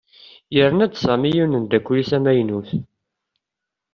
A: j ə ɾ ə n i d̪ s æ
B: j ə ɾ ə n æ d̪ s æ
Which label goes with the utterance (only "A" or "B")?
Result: B